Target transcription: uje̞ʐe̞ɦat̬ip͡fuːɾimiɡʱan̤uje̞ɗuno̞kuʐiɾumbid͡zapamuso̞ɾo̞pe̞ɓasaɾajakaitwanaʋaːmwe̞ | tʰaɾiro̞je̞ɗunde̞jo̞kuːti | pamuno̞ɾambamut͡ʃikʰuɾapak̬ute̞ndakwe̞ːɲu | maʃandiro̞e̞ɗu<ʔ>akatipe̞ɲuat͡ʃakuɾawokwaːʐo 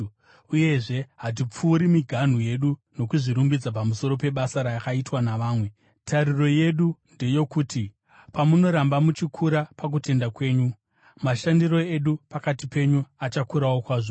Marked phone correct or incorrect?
incorrect: p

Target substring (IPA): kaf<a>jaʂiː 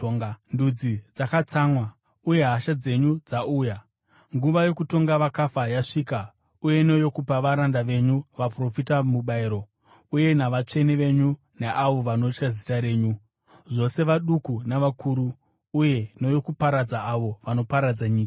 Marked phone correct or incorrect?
correct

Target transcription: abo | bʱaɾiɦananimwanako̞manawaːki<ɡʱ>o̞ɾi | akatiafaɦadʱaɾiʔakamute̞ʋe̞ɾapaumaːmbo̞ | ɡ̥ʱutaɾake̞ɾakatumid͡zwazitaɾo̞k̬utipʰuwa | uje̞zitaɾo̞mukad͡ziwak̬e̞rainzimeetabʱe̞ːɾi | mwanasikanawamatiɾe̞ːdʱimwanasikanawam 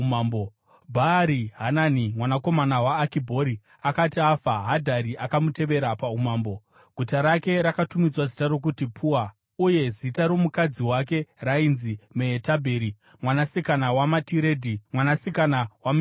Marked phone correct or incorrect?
incorrect: bʱ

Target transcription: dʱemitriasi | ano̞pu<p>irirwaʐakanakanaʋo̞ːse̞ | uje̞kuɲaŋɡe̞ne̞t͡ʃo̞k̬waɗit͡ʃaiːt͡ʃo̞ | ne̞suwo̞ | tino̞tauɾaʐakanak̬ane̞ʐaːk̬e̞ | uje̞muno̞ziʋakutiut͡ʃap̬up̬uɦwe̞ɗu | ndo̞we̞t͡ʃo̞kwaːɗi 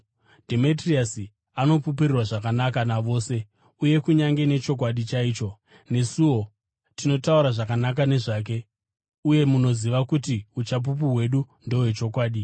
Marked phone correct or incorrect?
correct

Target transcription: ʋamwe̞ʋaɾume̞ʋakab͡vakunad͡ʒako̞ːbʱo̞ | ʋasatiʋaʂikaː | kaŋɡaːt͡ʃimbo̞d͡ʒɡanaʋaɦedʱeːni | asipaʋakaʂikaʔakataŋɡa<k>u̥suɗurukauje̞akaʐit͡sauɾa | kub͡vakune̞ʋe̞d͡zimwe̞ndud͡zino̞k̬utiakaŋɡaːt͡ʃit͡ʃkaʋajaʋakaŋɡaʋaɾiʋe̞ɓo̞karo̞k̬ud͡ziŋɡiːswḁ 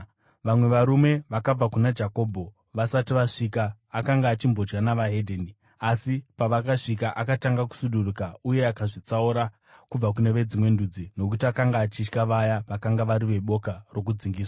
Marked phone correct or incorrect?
correct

